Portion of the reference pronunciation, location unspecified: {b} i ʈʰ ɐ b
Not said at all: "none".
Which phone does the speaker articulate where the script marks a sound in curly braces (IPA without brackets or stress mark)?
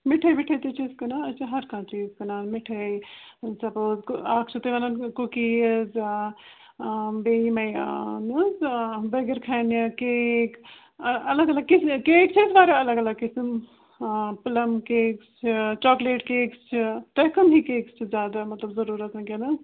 m